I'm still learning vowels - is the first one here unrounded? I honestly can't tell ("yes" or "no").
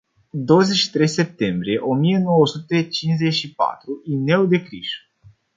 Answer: no